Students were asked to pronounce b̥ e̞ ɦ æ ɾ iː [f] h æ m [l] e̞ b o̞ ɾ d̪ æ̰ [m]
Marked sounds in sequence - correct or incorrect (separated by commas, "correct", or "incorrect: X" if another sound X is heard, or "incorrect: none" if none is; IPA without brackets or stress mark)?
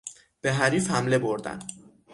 correct, correct, incorrect: n